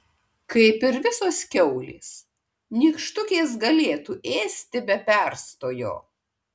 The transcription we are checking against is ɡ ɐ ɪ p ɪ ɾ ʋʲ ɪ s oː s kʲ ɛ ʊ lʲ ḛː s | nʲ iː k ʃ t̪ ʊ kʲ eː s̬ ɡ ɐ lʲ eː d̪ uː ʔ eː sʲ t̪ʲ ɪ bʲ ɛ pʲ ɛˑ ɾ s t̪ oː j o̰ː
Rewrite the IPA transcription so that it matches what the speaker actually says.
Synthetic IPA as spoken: k ɐ ɪ p ɪ ɾ ʋʲ ɪ s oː s kʲ ɛ ʊ lʲ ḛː s | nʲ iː k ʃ t̪ ʊ kʲ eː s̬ ɡ ɐ lʲ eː t̪ uː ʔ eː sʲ t̪ʲ ɪ bʲ ɛ pʲ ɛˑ ɾ s t̪ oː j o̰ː